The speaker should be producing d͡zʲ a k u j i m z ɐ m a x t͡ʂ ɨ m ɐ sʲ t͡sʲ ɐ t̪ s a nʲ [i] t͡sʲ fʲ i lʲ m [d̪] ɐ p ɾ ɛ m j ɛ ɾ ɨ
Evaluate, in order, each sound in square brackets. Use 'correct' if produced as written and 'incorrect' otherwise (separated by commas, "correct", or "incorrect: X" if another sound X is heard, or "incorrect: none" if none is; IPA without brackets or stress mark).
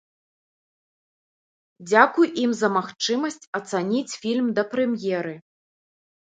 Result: correct, correct